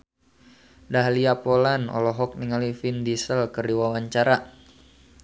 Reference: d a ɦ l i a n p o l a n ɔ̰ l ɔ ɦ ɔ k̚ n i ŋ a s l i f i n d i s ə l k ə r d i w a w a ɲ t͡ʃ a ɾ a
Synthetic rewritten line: d a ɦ l i a p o l a n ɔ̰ l ɔ ɦ ɔ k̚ n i ŋ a l i f i n d i s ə l k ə r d i w a w a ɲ t͡ʃ a ɾ a